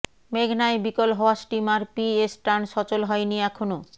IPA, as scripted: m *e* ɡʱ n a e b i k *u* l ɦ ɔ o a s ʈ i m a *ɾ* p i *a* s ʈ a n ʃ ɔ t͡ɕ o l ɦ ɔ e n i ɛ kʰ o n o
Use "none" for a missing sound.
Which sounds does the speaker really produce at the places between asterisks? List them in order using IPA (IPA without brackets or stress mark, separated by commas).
e, o, ɾ, e